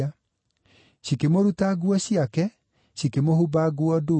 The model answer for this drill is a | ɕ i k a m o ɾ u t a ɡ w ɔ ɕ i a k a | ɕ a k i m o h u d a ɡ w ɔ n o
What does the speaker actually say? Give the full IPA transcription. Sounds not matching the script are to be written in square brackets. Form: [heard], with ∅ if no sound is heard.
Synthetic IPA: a | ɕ i k [e] m o ɾ u t a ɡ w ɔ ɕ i a k [ɛ] | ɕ [i] k [e] m o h u [b] a ɡ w ɔ [d] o